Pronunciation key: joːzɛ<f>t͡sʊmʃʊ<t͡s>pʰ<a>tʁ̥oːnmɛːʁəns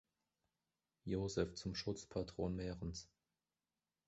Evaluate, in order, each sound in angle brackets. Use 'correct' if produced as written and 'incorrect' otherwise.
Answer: correct, correct, correct

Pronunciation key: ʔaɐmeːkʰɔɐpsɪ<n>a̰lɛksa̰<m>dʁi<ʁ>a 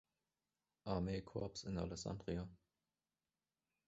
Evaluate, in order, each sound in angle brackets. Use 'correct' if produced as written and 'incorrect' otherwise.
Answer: correct, incorrect: n, incorrect: none

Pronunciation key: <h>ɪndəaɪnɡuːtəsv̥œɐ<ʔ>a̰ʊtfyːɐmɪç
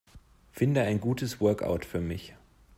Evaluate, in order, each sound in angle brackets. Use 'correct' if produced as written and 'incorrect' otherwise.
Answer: incorrect: f, incorrect: k

